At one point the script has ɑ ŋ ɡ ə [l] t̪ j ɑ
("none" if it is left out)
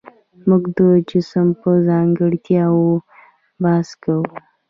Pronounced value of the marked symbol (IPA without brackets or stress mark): ɽ